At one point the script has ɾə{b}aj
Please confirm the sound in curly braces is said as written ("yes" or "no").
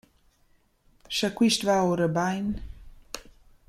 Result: yes